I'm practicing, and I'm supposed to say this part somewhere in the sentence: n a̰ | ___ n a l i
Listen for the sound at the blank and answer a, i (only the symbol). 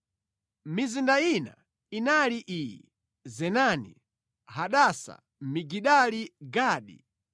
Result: i